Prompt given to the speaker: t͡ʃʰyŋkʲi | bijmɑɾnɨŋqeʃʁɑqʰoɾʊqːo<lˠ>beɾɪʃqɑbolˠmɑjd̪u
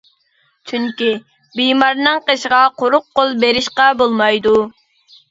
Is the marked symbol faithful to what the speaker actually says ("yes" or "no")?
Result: yes